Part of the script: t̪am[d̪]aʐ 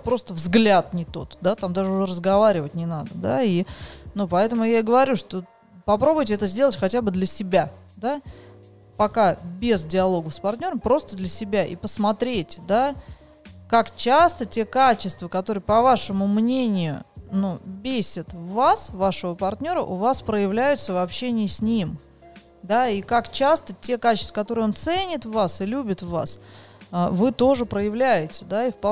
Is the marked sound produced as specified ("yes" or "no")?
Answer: yes